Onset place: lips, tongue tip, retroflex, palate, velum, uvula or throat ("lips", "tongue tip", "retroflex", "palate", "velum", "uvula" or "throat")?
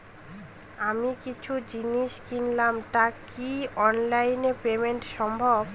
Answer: lips